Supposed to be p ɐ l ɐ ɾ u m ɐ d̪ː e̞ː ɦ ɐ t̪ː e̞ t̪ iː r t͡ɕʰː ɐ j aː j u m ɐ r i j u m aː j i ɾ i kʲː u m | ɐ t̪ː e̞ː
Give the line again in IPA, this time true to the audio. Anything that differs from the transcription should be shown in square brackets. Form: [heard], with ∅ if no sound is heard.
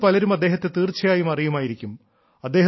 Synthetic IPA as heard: p ɐ l ɐ ɾ u m ɐ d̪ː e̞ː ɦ ɐ t̪ː e̞ t̪ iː r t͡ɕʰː ɐ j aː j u m ɐ r i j u m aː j i ɾ i kʲː u m | ɐ [d̪ː] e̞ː